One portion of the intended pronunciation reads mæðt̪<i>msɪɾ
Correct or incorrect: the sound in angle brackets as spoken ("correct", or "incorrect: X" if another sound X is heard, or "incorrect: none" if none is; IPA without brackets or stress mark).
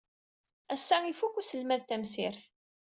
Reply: incorrect: æ